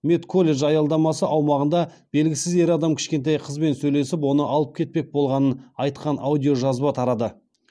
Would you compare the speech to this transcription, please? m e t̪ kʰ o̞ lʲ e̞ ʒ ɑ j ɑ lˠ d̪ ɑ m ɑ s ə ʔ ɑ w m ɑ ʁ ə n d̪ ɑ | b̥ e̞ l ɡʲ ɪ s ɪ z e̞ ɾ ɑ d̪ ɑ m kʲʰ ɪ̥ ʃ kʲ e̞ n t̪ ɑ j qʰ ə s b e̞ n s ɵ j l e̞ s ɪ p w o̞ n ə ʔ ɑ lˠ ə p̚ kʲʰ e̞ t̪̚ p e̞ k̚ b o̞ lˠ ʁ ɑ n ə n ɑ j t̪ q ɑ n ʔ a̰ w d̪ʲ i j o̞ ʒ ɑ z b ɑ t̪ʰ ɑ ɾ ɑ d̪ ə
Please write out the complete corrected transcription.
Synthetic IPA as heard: m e t̪ kʰ o̞ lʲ e̞ ʒ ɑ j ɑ lˠ d̪ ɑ m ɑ s ə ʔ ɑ w m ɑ ʁ ə n d̪ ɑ | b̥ e̞ l ɡʲ ɪ s ɪ z e̞ ɾ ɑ d̪ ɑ m kʲʰ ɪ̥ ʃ kʲ e̞ n t̪ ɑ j qʰ ə z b e̞ n s ɵ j l e̞ s ɪ p w o̞ n ə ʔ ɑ lˠ ə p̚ kʲʰ e̞ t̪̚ p e̞ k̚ b o̞ lˠ ʁ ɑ n ə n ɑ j t̪ q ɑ n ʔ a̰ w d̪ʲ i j o̞ ʒ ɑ z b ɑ t̪ʰ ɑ ɾ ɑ d̪ ə

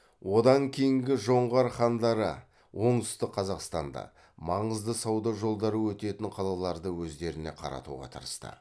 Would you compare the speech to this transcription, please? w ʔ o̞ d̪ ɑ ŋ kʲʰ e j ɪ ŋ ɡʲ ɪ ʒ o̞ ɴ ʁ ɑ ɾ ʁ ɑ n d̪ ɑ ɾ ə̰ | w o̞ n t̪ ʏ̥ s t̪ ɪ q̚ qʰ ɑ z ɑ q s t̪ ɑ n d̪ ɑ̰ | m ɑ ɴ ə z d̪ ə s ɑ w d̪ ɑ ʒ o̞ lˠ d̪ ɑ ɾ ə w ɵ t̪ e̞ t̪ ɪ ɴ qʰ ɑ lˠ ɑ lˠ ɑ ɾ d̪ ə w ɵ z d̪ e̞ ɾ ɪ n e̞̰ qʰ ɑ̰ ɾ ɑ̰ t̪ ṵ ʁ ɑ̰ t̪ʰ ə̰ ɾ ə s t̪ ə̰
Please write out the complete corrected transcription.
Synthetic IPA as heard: w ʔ o̞ d̪ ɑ ŋ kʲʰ e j ɪ ŋ ɡʲ ɪ ʒ o̞ ɴ ʁ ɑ ɾ χ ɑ n d̪ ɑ ɾ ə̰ | w o̞ ɴ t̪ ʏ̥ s t̪ ɪ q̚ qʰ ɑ z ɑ q s t̪ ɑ n d̪ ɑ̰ | m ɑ ɴ ə z d̪ ə s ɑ w d̪ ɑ ʒ o̞ lˠ d̪ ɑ ɾ ə w ɵ t̪ e̞ t̪ ɪ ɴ qʰ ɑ lˠ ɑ lˠ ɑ ɾ d̪ ə w ɵ z d̪ e̞ ɾ ɪ n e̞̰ qʰ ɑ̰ ɾ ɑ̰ t̪ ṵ ʁ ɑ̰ t̪ʰ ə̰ ɾ ə s t̪ ə̰

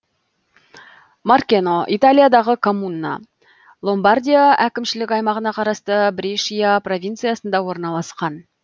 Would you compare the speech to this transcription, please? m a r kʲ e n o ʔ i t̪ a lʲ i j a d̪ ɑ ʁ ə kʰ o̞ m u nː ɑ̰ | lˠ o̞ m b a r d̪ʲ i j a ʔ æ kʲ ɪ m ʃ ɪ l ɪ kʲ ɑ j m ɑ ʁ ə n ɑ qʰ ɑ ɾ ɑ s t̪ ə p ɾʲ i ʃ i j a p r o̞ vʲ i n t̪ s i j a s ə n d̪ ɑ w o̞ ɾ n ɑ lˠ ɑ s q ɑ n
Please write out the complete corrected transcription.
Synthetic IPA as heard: m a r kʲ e n o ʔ i t̪ a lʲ i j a d̪ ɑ ʁ ə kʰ o̞ m u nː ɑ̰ | lˠ o̞ m b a r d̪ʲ i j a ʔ æ kʲ ɪ m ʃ ɪ l ɪ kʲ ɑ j m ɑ ʁ ə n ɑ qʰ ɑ ɾ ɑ s t̪ ə b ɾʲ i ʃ i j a p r o̞ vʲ i n t̪ s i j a s ə n d̪ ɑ w o̞ ɾ n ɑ lˠ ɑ s q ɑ n

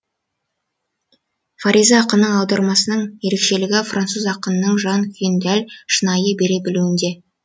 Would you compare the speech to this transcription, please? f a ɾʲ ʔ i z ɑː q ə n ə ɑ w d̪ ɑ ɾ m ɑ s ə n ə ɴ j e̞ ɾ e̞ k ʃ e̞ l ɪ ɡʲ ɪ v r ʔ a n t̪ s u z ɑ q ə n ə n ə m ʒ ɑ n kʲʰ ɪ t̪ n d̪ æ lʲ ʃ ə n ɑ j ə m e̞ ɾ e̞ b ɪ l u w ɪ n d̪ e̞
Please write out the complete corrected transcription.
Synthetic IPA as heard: f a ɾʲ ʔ i z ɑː q ə n ə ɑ w d̪ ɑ ɾ m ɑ s ə n ə ɴ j e̞ ɾ e̞ k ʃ e̞ l ɪ ɡʲ ɪ f r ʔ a n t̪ s u z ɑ q ə n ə n ə ɴ ʒ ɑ n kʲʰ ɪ n d̪ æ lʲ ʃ ə n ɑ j ə b e̞ ɾ e̞ b ɪ l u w ɪ n d̪ e̞

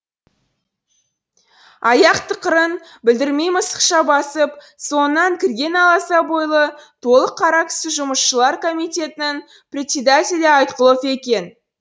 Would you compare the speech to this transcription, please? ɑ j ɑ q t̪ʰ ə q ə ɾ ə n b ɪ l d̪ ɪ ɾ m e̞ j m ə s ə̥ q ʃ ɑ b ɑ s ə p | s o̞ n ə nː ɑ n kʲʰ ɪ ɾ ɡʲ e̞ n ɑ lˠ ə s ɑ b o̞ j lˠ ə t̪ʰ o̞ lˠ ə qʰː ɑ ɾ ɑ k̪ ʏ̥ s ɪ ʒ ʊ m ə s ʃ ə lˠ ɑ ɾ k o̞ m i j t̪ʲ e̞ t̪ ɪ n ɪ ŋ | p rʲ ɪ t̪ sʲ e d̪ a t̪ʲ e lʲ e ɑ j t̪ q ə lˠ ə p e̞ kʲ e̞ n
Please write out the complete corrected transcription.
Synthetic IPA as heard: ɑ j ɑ q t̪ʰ ə q ə ɾ ə n b ɪ l d̪ ɪ ɾ m e̞ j m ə s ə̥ q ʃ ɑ b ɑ s ə p | s o̞ n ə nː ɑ ŋ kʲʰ ɪ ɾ ɡʲ e̞ n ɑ lˠ ɑ s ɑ b o̞ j lˠ ə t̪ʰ o̞ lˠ ə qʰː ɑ ɾ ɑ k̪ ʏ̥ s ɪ ʒ ʊ m ə s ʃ ə lˠ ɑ ɾ k o̞ m i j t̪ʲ e̞ t̪ ɪ n ɪ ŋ | p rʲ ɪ t̪ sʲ e d̪ a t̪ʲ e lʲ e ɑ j t̪ q ə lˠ ə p e̞ kʲ e̞ n

